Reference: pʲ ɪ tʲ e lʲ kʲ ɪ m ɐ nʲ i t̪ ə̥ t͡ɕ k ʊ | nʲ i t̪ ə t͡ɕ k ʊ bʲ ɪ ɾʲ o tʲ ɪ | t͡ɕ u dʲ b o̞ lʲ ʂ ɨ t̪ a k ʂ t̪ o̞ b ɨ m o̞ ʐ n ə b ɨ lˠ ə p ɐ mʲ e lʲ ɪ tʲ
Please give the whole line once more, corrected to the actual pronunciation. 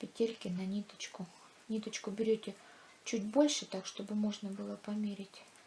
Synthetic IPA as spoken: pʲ ɪ tʲ e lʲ kʲ ɪ n ɐ nʲ i t̪ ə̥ t͡ɕ k ʊ | nʲ i t̪ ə t͡ɕ k ʊ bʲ ɪ ɾʲ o tʲ ɪ | t͡ɕ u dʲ b o̞ lʲ ʂ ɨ t̪ a k ʂ t̪ o̞ b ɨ m o̞ ʐ n ə b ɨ lˠ ə p ɐ mʲ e ɾʲ ɪ tʲ

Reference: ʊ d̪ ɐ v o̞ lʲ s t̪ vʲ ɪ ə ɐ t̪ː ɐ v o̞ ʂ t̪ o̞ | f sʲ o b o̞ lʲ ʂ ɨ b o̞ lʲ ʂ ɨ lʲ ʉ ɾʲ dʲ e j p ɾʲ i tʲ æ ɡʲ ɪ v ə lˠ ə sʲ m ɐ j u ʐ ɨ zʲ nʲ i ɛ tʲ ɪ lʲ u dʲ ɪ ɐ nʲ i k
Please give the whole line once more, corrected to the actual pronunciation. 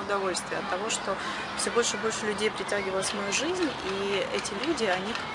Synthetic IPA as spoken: ʊ d̪ ɐ v o̞ lʲ s t̪ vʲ ɪ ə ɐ t̪ː ɐ v o̞ ʂ t̪ o̞ | f sʲ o b o̞ lʲ ʂ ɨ b o̞ lʲ ʂ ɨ lʲ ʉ dʲ e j p ɾʲ ɪ tʲ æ ɡʲ ɪ v ə lˠ ə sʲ m ɐ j u ʐ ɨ zʲ nʲ i ɛ tʲ ɪ lʲ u dʲ ɪ ɐ nʲ i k

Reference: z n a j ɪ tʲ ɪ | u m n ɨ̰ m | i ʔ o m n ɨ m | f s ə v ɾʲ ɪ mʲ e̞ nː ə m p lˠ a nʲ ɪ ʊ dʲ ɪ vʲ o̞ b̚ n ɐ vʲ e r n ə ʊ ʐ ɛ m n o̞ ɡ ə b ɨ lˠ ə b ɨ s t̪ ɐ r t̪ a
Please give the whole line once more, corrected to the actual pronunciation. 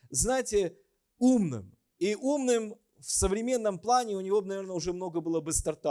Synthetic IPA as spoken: z n a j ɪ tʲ ɪ | u m n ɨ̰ m | i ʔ u m n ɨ m | f s ə v ɾʲ ɪ mʲ e̞ nː ə m p lˠ a nʲ ɪ ʊ nʲ ɪ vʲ o̞ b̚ n ɐ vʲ e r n ə ʊ ʐ ɛ m n o̞ ɡ ə b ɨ lˠ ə b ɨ s t̪ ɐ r t̪ a

